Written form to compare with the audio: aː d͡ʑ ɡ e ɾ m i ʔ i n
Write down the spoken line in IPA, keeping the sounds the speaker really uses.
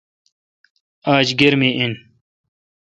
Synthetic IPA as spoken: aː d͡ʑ ɡ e ɾ m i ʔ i n